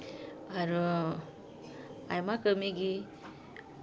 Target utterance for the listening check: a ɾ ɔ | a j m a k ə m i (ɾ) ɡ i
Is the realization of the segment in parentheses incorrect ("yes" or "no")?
yes